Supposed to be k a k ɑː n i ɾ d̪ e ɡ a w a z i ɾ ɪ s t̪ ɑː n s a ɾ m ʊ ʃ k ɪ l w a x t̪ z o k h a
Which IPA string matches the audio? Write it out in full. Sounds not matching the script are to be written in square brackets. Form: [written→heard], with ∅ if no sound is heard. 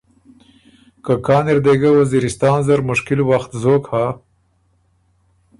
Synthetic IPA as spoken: k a k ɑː n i ɾ d̪ e ɡ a w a z i ɾ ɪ s t̪ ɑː n [s→z] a ɾ m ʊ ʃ k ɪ l w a x t̪ z o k h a